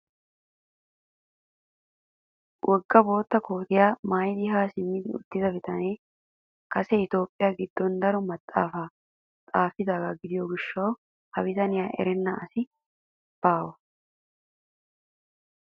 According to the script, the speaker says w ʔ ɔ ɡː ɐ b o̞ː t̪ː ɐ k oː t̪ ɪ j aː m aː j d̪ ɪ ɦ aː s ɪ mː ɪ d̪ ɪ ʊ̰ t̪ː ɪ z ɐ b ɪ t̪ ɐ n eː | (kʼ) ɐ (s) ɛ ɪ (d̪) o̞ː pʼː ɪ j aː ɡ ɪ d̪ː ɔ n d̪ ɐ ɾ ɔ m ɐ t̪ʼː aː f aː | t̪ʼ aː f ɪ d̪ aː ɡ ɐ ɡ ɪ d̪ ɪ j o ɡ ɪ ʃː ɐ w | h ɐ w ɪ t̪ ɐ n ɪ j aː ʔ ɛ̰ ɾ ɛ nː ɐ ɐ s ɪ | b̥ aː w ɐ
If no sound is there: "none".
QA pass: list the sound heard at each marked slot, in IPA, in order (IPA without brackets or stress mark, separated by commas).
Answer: k, s, t̪